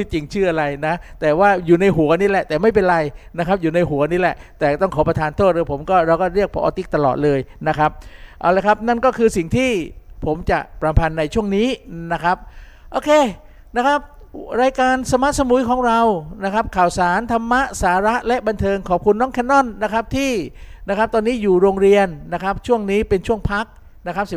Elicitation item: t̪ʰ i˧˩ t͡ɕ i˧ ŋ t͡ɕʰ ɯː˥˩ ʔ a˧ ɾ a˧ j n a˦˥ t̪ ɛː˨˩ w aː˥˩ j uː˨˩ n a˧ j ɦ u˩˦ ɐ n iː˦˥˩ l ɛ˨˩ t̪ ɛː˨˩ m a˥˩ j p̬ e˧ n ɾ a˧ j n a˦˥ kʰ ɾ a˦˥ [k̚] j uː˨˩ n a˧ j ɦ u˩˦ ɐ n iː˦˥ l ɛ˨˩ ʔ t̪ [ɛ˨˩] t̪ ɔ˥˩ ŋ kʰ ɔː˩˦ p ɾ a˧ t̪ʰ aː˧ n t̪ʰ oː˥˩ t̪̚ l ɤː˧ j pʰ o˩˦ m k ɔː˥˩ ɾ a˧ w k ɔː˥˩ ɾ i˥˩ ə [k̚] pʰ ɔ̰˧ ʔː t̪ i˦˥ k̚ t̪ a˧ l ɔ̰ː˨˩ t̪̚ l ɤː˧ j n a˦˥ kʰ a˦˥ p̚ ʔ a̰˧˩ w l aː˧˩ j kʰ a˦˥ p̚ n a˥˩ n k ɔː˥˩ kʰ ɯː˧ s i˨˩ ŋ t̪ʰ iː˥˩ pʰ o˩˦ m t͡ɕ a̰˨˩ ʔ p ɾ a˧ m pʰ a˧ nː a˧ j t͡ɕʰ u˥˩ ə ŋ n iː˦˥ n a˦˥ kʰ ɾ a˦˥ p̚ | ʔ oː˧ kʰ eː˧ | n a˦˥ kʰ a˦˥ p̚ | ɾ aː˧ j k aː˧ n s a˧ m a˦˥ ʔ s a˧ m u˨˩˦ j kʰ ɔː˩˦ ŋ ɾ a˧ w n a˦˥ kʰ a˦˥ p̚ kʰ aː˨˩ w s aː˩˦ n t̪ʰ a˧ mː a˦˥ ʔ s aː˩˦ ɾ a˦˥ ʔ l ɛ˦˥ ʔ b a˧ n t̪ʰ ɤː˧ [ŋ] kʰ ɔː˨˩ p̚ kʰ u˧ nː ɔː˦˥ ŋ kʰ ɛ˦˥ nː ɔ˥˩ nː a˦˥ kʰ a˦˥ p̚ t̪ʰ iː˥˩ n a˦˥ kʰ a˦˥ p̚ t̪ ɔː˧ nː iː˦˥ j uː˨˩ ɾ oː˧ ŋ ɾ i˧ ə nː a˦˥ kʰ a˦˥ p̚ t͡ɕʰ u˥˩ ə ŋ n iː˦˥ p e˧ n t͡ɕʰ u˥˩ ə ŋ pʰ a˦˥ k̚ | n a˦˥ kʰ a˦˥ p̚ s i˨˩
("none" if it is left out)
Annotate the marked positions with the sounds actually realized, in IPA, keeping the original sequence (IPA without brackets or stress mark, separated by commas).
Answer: p̚, ɛː˨˩, k̚, ŋ